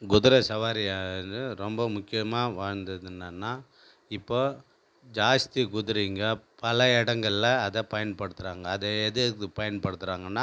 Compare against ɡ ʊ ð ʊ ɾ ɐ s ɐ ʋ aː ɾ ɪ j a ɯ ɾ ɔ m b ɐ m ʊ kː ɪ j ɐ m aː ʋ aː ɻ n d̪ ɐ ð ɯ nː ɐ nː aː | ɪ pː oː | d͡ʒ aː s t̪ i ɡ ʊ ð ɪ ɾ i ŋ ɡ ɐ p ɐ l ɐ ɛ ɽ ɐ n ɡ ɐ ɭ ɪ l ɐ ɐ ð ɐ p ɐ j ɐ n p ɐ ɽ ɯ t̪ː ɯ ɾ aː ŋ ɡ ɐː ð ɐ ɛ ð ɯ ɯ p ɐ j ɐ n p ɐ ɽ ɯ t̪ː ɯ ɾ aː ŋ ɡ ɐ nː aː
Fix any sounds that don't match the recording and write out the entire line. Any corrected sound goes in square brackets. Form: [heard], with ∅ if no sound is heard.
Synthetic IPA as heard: ɡ ʊ ð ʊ ɾ ɐ s ɐ ʋ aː ɾ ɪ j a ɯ ɾ ɔ m b ɐ m ʊ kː ɪ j ɐ m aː ʋ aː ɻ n d̪ ɐ ð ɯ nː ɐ nː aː | ɪ pː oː | d͡ʒ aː s t̪ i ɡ ʊ ð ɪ ɾ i ŋ ɡ ɐ p ɐ l ɐ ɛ ɽ ɐ [ŋ] ɡ ɐ ɭ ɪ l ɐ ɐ ð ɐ p ɐ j ɐ n p ɐ ɽ ɯ t̪ː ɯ ɾ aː ŋ ɡ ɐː ð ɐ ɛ ð ɯ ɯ p ɐ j ɐ n p ɐ ɽ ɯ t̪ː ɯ ɾ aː ŋ ɡ ɐ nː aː